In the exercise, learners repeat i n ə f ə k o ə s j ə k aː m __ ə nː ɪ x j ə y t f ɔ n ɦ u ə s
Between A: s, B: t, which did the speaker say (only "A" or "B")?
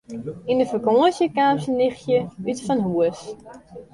A